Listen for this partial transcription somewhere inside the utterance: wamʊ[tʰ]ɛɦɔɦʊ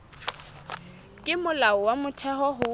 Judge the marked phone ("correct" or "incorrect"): correct